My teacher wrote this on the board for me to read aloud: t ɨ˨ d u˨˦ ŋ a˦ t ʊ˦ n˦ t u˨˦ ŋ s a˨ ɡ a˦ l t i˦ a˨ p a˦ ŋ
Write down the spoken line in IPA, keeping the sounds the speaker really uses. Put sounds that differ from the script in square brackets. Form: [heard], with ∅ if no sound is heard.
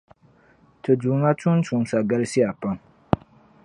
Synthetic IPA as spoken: t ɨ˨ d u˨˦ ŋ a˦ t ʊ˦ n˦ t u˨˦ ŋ s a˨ ɡ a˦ l [s] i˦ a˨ p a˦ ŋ